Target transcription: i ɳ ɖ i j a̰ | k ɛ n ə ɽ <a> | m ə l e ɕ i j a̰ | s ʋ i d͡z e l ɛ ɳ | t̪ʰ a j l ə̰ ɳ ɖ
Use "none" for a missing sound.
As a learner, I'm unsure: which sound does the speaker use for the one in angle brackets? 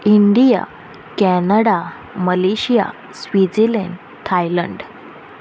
a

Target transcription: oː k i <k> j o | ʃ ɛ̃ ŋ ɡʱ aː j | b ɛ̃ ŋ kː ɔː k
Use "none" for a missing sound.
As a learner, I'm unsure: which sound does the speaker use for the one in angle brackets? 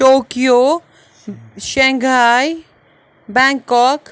none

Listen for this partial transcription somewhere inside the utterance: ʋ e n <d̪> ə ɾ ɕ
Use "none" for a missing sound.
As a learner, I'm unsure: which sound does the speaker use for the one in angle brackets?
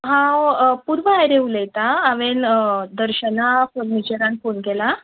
d̪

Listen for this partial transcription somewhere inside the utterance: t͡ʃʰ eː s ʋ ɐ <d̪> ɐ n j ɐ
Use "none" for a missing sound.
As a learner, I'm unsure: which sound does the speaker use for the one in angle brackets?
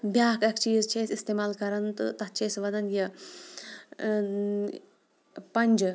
d̪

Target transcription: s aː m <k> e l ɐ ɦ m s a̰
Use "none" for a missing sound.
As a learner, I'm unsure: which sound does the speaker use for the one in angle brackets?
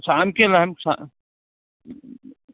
k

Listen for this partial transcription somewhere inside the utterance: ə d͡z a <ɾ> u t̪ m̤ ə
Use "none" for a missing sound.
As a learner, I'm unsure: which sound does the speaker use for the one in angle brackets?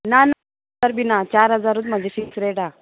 ɾ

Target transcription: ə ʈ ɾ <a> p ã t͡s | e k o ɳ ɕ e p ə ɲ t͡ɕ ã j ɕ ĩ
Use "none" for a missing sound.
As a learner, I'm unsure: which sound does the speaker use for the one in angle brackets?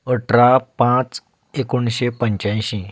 a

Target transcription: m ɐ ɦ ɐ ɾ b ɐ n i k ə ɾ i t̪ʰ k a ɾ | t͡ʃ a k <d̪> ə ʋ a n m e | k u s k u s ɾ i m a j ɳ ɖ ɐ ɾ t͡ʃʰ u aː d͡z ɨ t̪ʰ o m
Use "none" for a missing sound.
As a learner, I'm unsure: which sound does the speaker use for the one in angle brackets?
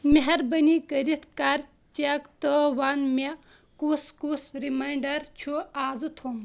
t̪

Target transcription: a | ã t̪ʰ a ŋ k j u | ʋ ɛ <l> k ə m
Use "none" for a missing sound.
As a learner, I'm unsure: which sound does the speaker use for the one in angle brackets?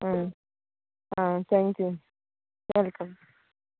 l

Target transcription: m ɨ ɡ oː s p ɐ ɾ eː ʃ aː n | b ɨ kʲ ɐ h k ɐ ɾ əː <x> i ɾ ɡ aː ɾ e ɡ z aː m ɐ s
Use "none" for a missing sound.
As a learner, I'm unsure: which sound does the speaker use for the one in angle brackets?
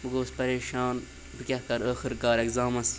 x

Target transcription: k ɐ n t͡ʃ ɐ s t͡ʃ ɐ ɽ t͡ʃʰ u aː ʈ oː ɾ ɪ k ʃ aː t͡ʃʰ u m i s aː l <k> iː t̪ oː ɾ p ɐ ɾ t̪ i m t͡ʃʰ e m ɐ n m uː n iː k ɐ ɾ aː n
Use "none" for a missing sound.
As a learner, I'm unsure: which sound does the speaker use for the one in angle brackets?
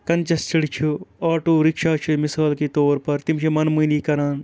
k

